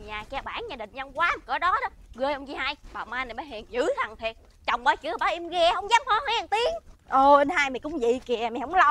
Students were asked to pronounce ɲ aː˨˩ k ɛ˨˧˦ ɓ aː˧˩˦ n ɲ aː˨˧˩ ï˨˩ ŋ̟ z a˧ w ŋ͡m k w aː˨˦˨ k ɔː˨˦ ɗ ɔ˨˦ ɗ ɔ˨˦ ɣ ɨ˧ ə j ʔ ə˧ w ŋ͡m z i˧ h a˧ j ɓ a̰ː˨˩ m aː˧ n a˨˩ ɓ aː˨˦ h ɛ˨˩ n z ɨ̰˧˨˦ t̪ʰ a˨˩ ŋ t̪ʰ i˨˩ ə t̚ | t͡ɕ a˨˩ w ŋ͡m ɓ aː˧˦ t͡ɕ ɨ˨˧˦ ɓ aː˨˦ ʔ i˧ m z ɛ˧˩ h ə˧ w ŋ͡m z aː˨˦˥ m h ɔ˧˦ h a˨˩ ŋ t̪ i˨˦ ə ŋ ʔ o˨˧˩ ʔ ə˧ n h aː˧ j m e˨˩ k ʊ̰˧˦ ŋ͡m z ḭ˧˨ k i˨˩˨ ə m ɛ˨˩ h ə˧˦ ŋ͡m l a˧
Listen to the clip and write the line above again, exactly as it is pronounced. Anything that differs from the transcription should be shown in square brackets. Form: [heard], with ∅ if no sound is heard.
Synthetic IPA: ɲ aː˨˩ k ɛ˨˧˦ ɓ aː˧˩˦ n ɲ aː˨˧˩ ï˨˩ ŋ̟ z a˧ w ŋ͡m k w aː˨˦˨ k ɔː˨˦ ɗ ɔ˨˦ ɗ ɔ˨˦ ɣ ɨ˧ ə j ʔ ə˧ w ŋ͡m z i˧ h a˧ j ɓ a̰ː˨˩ m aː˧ n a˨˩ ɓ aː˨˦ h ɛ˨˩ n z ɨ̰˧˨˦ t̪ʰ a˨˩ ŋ t̪ʰ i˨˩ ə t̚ | t͡ɕ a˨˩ w ŋ͡m ɓ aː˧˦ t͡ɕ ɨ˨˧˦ ɓ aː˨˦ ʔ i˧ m [ɣ] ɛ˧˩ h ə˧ w ŋ͡m z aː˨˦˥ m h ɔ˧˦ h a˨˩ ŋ t̪ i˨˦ ə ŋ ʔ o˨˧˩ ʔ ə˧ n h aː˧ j m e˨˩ k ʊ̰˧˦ ŋ͡m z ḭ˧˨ k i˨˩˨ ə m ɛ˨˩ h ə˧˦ ŋ͡m l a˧